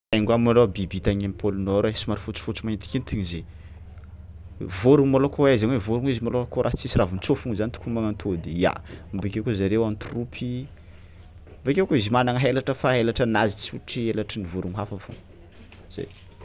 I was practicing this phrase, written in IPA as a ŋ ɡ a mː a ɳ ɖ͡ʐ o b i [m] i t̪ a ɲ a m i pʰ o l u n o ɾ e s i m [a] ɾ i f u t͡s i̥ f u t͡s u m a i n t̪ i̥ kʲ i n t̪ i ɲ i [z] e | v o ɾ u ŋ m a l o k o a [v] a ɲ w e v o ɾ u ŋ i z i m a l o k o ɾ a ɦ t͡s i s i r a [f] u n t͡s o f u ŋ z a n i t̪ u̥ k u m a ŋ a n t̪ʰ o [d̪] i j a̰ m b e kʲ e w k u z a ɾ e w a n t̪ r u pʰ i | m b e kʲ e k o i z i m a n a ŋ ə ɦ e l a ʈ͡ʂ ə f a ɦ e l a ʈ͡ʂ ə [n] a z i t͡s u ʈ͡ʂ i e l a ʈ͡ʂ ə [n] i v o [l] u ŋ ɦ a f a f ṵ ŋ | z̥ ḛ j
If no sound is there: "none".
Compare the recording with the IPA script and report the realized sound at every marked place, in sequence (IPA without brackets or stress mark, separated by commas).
b, a, z, z, v, d̪, n, n, ɾ